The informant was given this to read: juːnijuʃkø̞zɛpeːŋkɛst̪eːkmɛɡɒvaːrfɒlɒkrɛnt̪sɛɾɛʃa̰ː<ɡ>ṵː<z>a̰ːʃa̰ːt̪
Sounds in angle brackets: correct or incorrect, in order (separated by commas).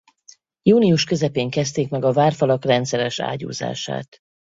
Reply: incorrect, correct